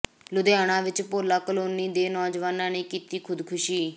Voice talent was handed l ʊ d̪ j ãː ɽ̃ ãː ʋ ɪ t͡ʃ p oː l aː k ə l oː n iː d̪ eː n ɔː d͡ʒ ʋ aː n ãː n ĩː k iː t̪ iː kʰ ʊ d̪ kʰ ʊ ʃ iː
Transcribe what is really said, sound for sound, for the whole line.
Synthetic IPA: l ʊ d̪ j aː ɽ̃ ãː ʋ ɪ t͡ʃ p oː l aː k ə l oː n iː d̪ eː n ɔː d͡ʒ ʋ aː n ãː n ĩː k iː t̪ iː kʰ ʊ d̪ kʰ ʊ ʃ iː